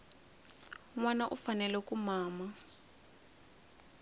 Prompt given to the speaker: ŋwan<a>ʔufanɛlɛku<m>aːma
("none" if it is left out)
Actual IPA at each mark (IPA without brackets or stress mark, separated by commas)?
a, m